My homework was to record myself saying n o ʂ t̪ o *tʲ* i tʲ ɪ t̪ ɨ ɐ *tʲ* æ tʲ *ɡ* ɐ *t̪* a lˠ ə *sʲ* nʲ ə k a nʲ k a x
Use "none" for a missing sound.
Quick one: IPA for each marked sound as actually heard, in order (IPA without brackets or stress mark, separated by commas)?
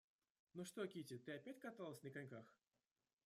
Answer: kʲ, pʲ, k, t̪, sʲ